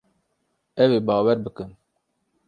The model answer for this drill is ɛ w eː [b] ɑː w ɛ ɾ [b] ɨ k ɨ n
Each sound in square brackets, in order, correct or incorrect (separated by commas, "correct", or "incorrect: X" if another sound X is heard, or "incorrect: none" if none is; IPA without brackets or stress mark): correct, correct